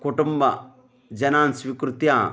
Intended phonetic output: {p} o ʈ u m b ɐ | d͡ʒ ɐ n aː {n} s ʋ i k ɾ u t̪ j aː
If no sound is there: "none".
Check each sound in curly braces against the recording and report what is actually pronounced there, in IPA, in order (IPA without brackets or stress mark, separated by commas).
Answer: k, n